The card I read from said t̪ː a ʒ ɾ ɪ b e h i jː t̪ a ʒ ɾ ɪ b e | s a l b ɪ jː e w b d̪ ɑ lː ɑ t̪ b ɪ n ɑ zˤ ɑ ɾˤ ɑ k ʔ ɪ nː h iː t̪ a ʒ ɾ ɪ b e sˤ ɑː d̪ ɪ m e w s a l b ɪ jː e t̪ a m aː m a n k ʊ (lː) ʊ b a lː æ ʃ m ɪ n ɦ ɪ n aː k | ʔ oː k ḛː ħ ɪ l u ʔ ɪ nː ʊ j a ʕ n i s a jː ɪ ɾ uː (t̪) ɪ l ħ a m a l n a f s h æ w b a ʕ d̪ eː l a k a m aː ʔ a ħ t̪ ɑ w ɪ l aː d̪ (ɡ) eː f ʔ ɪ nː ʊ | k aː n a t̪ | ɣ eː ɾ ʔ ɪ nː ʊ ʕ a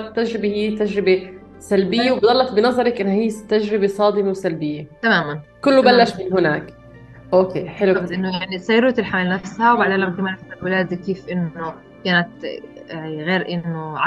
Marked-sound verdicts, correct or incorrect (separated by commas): correct, correct, incorrect